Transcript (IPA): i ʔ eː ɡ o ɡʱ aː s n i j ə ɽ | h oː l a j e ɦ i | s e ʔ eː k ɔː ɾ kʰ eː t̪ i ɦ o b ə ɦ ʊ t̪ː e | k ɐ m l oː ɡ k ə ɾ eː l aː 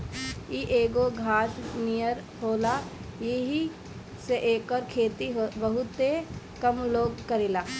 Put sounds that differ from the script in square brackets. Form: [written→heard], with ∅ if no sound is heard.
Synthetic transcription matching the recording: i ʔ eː ɡ o ɡʱ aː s n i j ə [ɽ→ɾ] | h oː l a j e ɦ i | s e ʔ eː k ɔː ɾ kʰ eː t̪ i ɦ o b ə ɦ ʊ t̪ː e | k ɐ m l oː ɡ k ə ɾ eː l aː